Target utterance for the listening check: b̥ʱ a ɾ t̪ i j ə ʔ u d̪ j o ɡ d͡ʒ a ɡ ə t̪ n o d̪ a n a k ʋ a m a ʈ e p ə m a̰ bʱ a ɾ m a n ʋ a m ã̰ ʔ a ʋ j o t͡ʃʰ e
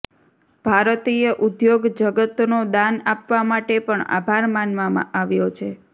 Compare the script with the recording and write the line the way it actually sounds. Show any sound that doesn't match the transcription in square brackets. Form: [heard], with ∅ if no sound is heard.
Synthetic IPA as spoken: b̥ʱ a ɾ t̪ i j ə ʔ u d̪ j o ɡ d͡ʒ [ə] ɡ ə t̪ n o d̪ a n a [p] ʋ a m a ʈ e p ə [ɳ] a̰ bʱ a ɾ m a n ʋ a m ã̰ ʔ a ʋ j o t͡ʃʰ e